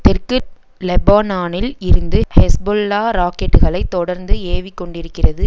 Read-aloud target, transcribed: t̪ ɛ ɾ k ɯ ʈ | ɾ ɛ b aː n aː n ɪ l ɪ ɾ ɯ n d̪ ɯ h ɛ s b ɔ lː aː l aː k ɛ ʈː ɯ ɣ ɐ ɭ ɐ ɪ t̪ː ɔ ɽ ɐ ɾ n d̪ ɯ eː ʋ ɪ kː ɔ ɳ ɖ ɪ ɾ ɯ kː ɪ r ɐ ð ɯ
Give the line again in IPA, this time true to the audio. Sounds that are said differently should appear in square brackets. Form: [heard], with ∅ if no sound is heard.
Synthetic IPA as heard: t̪ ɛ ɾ k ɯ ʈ | [l] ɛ b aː n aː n ɪ l ɪ ɾ ɯ n d̪ ɯ h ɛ s b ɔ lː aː [ɾ] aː k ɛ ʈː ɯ ɣ ɐ ɭ ɐ ɪ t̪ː ɔ ɽ ɐ ɾ n d̪ ɯ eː ʋ ɪ kː ɔ ɳ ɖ ɪ ɾ ɯ kː ɪ r ɐ ð ɯ

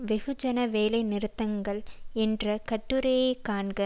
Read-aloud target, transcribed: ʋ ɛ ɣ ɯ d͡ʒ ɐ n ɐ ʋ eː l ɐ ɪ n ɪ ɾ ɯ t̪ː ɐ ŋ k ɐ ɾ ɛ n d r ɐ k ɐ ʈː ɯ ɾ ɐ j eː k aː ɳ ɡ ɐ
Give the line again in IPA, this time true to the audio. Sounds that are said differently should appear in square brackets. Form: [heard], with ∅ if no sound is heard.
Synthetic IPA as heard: ʋ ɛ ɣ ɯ d͡ʒ ɐ n ɐ ʋ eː l ɐ ɪ n ɪ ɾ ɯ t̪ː ɐ ŋ [ɡ] ɐ [ɭ] ɛ n d r ɐ k ɐ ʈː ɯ ɾ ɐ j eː k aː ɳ ɡ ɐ

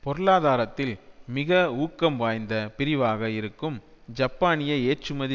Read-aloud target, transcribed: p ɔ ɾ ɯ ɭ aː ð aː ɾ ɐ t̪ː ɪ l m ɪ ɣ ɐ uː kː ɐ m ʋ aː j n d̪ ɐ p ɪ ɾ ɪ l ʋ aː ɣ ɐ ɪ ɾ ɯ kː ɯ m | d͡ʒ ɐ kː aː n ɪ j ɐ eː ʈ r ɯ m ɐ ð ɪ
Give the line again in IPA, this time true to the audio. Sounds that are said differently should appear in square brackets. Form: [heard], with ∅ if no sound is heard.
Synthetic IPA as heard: p ɔ ɾ ɯ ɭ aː ð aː ɾ ɐ t̪ː ɪ l m ɪ ɣ ɐ uː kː ɐ m ʋ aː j n d̪ ɐ p ɪ ɾ ɪ [∅] ʋ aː ɣ ɐ ɪ ɾ ɯ kː ɯ m | d͡ʒ ɐ [pː] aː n ɪ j ɐ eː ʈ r ɯ m ɐ ð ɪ

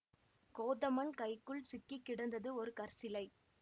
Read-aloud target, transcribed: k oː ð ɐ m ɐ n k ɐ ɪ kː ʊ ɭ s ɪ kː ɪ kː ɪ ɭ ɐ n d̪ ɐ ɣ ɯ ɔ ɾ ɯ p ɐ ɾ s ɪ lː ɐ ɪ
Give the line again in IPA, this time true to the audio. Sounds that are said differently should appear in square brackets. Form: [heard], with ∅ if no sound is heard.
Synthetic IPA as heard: k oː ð ɐ m ɐ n k ɐ ɪ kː [ɯ] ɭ s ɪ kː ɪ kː ɪ [ɽ] ɐ n d̪ ɐ [ð] ɯ ɔ ɾ ɯ [k] ɐ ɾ s ɪ [l] ɐ ɪ

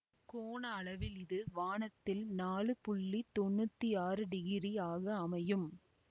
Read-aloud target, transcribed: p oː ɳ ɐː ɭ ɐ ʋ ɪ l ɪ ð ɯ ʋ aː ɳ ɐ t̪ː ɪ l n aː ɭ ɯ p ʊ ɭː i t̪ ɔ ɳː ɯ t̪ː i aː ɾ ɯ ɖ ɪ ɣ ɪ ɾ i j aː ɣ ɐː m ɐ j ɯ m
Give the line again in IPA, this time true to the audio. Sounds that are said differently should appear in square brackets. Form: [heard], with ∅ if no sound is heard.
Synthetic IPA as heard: [k] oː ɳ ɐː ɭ ɐ ʋ ɪ l ɪ ð ɯ ʋ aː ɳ ɐ t̪ː ɪ l n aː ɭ ɯ p ʊ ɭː i t̪ ɔ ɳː ɯ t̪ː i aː ɾ ɯ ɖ ɪ ɣ ɪ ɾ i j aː ɣ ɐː m ɐ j ɯ m

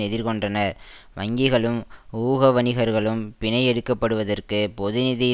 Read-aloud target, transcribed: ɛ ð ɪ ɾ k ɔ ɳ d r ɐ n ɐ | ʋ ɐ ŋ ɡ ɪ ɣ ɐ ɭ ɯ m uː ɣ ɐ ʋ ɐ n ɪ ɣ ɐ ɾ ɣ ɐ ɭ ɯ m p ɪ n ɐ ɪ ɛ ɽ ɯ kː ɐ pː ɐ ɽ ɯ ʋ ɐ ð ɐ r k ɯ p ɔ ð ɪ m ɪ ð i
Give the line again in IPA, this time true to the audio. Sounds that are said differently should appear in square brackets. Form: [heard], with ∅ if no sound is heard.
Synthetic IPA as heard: ɛ ð ɪ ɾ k ɔ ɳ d r ɐ n ɐ | ʋ ɐ ŋ ɡ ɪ ɣ ɐ ɭ ɯ m uː ɣ ɐ ʋ ɐ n ɪ ɣ ɐ ɾ ɣ ɐ ɭ ɯ m p ɪ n ɐ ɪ ɛ ɽ ɯ kː ɐ pː ɐ ɽ ɯ ʋ ɐ ð ɐ r k ɯ p ɔ ð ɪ [n] ɪ ð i

